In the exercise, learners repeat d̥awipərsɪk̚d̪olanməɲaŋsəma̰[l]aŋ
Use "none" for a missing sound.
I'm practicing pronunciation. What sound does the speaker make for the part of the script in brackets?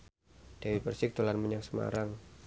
ɾ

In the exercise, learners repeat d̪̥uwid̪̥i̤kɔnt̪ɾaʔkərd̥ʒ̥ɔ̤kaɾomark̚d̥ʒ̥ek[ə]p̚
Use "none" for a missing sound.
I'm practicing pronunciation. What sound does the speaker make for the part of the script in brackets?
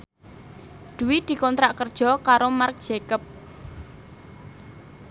ə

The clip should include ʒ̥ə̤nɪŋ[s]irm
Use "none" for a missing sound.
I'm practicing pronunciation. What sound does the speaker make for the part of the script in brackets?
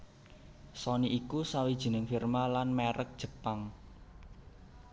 f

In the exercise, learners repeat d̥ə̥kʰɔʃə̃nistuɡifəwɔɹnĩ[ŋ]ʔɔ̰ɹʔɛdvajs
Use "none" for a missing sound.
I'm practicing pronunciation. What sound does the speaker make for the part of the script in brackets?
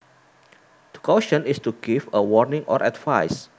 ŋ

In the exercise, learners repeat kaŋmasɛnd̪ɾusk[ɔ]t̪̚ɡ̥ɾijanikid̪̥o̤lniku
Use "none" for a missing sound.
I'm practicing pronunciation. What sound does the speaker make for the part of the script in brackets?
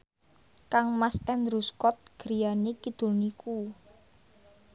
ɔ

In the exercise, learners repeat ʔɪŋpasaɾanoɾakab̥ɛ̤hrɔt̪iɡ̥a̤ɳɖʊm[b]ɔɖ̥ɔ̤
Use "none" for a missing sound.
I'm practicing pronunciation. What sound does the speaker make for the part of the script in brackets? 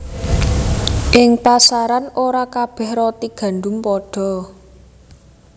p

